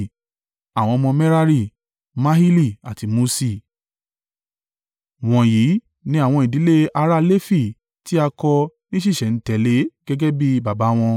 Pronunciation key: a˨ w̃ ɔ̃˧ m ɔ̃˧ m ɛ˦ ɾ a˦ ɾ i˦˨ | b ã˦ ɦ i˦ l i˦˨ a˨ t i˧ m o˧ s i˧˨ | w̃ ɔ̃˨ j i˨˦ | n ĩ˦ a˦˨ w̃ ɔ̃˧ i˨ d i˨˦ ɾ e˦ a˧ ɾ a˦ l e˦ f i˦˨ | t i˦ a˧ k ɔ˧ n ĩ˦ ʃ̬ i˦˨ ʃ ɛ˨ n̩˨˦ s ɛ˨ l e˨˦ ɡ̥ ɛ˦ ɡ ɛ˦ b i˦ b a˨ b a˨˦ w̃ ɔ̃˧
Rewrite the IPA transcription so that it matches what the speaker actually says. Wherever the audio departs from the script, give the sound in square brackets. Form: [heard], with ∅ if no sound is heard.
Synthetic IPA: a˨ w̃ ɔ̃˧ m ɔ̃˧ m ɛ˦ ɾ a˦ ɾ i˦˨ | [m] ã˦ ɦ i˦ l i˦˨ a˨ t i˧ m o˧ s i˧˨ | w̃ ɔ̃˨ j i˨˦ | n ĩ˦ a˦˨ w̃ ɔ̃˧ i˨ d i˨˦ [l] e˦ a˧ ɾ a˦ l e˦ f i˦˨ | t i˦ a˧ k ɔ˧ n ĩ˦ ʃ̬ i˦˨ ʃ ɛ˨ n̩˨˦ [t] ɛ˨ l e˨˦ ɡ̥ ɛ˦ ɡ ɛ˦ b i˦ b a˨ b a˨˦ w̃ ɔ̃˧